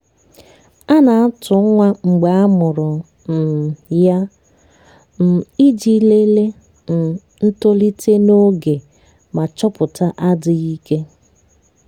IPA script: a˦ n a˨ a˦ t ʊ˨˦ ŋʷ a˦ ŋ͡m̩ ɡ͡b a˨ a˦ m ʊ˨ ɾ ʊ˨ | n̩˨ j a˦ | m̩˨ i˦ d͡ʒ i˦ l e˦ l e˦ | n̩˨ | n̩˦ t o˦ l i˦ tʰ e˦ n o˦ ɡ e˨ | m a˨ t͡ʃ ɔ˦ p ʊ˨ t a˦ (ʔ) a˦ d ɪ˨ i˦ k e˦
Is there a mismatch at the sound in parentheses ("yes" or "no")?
no